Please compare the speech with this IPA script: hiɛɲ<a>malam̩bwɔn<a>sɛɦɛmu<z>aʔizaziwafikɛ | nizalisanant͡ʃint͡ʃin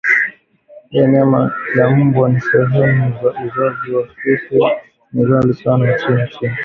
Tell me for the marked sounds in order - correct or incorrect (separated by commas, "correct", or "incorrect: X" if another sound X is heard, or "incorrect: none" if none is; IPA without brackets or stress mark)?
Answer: correct, incorrect: i, correct